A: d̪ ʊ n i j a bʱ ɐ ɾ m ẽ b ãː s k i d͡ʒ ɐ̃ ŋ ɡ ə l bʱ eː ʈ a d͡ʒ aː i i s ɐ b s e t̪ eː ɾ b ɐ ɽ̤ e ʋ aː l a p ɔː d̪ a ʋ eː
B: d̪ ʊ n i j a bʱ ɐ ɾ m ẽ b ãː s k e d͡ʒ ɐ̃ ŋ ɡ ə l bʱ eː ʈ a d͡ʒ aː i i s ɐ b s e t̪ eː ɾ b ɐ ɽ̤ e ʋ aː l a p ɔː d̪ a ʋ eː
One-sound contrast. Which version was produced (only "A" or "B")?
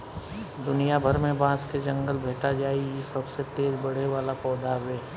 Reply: B